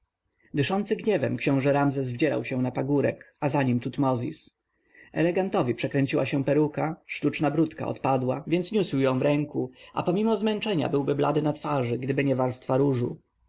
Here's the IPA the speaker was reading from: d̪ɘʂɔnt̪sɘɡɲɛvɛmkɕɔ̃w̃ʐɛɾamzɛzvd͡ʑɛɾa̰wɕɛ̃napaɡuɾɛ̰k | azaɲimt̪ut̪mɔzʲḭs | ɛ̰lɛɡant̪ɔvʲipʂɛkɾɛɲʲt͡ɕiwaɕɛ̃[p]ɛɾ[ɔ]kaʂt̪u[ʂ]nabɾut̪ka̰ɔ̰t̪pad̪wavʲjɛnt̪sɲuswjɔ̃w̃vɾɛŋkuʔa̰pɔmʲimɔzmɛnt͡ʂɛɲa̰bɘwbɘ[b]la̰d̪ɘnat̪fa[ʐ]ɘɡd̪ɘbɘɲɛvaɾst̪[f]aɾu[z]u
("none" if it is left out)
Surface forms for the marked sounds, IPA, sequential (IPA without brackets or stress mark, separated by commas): p, u, t͡ʂ, b, ʐ, f, ʐ